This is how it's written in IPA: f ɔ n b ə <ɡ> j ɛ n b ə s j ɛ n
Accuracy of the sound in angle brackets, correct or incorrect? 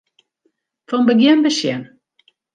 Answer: correct